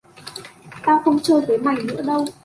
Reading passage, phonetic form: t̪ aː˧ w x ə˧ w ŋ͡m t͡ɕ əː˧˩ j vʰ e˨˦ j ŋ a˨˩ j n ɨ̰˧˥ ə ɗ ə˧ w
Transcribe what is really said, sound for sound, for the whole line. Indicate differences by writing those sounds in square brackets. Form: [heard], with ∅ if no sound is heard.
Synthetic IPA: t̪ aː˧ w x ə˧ w ŋ͡m t͡ɕ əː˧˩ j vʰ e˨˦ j [m] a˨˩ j n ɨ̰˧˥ ə ɗ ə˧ w